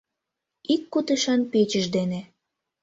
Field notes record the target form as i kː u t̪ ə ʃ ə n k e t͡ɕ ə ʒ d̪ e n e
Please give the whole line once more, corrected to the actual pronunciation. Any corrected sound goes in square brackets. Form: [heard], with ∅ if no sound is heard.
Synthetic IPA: i kː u t̪ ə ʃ [ɑ] n [p] e t͡ɕ ə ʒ d̪ e n e